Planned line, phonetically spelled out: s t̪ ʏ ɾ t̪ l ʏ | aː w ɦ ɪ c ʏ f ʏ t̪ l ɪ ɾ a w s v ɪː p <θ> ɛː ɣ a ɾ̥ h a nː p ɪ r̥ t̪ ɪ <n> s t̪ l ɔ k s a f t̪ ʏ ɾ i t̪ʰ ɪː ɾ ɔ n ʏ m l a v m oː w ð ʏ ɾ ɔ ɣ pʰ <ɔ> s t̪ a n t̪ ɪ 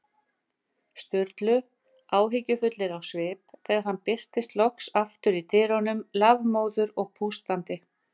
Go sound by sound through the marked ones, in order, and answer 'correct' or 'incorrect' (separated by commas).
correct, incorrect, incorrect